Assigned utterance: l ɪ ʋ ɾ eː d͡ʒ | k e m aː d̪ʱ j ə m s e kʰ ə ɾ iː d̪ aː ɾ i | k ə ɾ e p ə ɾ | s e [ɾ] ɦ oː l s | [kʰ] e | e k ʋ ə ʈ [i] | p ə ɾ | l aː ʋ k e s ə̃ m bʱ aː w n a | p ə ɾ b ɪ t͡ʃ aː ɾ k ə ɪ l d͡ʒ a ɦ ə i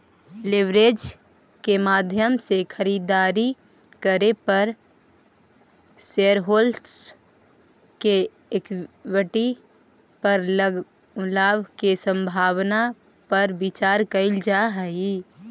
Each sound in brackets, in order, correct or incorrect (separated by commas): correct, incorrect, correct